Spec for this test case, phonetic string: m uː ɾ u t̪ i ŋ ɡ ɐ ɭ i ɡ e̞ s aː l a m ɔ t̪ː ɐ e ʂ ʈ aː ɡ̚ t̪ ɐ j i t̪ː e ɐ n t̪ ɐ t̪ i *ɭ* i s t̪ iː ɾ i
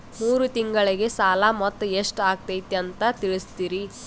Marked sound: correct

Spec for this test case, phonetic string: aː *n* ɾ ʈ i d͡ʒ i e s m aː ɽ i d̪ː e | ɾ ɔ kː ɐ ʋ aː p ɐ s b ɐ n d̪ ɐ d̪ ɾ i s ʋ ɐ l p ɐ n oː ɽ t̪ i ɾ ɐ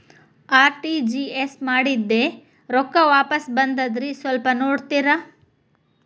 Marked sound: incorrect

